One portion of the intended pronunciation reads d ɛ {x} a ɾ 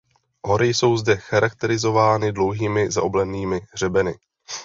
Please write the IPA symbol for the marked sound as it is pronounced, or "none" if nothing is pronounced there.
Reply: x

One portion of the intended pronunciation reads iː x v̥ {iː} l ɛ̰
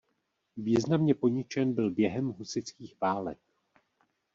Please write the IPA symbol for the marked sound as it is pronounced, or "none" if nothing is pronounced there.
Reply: aː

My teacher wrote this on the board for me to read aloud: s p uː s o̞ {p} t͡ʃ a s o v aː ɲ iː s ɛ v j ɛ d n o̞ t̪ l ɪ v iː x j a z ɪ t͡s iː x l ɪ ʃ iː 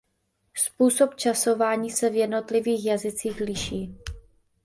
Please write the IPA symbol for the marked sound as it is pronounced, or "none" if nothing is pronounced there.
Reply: p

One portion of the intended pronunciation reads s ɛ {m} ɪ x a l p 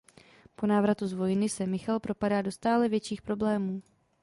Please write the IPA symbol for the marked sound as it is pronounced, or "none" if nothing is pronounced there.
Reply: m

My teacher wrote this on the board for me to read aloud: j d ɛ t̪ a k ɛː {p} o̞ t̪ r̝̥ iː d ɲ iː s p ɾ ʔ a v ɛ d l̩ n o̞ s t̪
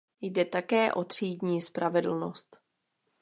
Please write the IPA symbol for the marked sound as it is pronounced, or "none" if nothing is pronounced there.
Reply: ʔ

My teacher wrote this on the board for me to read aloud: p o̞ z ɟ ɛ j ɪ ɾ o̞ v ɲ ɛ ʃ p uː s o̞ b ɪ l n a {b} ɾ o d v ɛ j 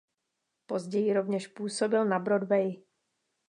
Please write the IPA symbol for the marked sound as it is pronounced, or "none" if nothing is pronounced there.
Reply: b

